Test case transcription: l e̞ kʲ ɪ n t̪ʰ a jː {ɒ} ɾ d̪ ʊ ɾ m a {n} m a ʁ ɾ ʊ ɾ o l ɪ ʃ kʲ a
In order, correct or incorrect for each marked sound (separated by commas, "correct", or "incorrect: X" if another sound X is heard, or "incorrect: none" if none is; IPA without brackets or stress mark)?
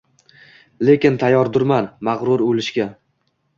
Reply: correct, correct